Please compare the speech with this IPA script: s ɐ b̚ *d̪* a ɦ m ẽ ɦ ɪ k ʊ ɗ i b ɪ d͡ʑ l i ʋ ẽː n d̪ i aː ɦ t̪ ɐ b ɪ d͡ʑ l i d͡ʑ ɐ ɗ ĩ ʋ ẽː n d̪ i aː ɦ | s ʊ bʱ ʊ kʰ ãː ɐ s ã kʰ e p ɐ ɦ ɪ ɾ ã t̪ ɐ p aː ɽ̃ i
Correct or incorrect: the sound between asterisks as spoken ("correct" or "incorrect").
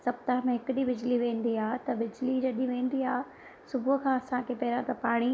incorrect